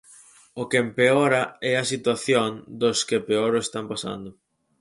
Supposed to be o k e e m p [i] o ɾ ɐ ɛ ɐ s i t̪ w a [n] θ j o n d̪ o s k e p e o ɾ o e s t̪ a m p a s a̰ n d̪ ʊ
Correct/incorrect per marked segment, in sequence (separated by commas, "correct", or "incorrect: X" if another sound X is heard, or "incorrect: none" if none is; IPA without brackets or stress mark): incorrect: e, incorrect: none